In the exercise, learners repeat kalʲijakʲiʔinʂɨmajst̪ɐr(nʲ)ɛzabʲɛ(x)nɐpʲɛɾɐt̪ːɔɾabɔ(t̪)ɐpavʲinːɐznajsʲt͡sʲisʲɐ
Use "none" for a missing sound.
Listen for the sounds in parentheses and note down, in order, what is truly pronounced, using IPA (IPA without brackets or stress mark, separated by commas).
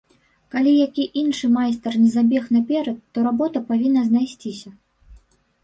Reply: nʲ, x, t̪